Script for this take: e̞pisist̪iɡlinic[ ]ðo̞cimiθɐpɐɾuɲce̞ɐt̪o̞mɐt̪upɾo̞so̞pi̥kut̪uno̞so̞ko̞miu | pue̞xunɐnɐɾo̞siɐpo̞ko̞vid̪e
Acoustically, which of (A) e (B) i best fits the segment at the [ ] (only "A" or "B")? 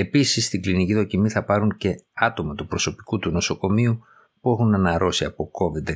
B